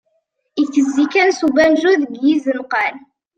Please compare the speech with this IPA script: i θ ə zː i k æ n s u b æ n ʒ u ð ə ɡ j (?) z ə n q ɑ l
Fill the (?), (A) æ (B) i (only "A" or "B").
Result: B